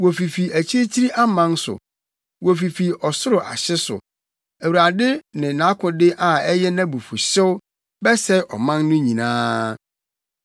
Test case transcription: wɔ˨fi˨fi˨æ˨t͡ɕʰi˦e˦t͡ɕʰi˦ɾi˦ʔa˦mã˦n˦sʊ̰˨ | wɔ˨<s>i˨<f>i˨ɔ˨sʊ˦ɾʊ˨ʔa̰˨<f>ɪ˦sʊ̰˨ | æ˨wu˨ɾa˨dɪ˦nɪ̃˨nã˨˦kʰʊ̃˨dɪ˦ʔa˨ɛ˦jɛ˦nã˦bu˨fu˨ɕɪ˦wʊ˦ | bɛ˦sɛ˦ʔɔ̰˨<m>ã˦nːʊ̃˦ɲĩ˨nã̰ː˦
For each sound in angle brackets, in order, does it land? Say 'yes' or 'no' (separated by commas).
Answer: no, yes, no, yes